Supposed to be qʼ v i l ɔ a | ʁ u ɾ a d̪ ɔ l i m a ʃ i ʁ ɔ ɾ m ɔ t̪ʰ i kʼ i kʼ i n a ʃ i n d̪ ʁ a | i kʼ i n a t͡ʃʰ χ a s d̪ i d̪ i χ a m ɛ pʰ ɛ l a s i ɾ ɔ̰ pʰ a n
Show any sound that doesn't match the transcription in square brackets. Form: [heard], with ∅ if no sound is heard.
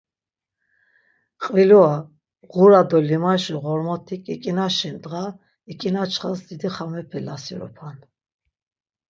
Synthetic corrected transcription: qʼ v i l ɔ a | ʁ u ɾ a d̪ ɔ l i m a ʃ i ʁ ɔ ɾ m ɔ t̪ʰ i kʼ i kʼ i n a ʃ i n d̪ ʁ a | i kʼ i n a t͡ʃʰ χ a s d̪ i d̪ i χ a m ɛ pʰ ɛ l a s i ɾ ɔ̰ pʰ a n